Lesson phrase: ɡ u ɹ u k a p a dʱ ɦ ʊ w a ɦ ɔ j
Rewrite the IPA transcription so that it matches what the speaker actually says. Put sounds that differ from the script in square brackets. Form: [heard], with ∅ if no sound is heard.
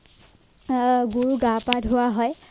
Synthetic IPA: ɡ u ɹ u [ɡ] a p a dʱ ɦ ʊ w a ɦ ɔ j